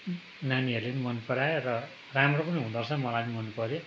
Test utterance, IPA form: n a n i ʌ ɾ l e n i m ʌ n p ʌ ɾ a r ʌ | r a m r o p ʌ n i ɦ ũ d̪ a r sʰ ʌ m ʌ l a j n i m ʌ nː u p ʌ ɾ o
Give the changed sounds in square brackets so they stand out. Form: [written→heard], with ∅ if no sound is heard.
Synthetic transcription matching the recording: n a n i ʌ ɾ l e n i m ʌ n p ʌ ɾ a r ʌ | r a m r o p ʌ n i ɦ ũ d̪ [a→ʌ] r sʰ ʌ m ʌ l a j n i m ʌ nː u p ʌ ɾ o